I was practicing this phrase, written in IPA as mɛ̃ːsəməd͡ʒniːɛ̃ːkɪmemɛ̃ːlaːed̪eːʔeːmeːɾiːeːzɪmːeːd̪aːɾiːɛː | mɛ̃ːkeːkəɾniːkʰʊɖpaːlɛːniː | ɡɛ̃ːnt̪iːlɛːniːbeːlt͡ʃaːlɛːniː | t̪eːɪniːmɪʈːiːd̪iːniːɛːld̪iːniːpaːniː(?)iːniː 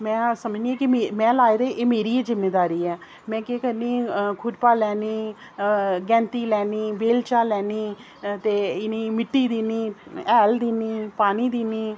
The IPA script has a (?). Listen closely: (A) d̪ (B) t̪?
A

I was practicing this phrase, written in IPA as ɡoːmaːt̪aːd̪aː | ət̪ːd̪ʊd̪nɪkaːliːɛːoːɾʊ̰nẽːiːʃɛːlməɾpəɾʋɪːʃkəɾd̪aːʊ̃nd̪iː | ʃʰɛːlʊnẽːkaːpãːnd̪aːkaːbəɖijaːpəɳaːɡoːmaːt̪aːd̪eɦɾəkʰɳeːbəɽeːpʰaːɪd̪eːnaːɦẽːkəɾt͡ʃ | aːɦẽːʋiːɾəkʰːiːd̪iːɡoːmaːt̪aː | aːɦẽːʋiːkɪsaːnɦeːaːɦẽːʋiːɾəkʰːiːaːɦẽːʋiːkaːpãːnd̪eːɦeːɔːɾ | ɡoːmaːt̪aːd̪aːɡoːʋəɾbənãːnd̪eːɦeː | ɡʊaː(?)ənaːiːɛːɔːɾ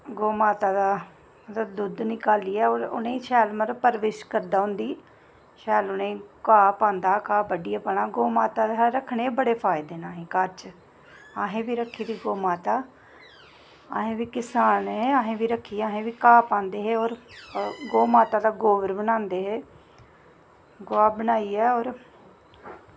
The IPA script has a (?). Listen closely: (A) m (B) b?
B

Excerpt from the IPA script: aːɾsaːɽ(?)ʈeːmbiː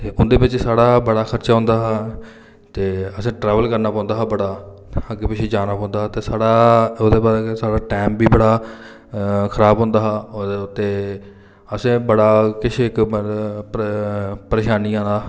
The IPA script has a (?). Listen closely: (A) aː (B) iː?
A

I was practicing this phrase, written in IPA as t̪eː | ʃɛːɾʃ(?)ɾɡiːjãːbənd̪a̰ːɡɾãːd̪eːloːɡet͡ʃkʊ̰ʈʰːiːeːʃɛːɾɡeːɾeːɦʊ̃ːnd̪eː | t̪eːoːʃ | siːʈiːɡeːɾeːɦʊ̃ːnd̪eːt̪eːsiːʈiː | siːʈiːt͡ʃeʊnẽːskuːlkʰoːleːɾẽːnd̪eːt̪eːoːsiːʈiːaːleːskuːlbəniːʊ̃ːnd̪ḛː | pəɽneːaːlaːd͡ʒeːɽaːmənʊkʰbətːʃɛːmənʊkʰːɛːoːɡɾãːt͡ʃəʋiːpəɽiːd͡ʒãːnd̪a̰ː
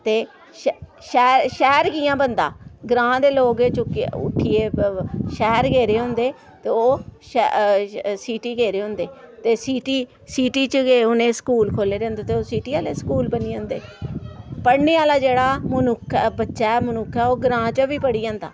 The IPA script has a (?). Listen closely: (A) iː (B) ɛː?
B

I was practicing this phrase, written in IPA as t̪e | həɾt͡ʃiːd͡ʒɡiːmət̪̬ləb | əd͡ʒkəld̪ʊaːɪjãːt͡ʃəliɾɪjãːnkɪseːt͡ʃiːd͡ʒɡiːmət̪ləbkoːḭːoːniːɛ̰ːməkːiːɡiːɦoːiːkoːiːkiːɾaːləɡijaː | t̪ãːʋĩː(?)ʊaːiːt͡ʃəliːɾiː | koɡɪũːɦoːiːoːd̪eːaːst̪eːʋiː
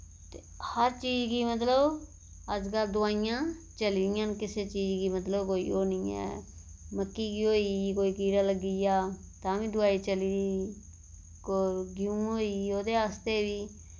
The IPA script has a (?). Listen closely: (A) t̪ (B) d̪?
B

